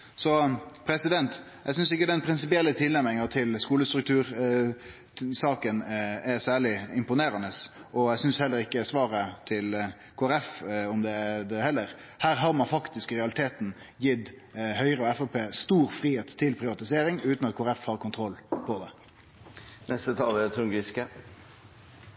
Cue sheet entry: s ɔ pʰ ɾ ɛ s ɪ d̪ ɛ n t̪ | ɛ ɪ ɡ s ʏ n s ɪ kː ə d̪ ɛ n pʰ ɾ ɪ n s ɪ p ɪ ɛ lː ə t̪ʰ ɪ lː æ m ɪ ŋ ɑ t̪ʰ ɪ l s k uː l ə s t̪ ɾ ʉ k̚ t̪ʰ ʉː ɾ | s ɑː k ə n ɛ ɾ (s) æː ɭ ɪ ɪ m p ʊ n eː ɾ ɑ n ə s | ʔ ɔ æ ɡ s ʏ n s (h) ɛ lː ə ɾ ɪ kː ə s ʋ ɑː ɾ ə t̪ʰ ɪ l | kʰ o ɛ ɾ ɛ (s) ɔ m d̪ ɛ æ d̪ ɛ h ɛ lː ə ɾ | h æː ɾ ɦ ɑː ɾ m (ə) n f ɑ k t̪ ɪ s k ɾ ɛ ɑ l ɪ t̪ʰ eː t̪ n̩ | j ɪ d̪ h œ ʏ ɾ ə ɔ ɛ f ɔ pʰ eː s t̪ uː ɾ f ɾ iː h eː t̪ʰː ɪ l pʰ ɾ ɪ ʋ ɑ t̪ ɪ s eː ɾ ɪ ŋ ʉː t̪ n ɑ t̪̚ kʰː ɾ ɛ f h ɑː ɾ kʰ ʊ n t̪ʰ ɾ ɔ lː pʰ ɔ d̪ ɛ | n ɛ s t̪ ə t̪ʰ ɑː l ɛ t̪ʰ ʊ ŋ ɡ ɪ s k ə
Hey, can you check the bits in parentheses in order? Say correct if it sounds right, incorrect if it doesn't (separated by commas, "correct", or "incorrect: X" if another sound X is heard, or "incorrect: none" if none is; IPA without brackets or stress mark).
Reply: correct, correct, incorrect: f, incorrect: ɑ